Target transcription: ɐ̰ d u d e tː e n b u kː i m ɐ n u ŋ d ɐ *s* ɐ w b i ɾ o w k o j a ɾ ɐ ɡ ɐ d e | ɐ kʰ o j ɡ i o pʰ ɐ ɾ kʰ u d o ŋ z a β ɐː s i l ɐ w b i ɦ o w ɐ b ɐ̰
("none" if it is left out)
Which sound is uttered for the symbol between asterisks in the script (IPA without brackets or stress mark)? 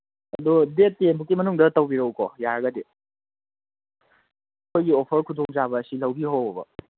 t